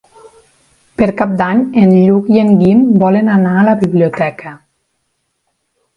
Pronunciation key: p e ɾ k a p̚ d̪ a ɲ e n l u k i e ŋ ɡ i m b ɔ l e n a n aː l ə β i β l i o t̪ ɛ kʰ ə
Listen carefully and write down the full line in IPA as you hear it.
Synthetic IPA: p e ɾ k a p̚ d̪ a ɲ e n ʎ u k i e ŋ ɡ i m b ɔ l e n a n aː l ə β i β l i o t̪ ɛ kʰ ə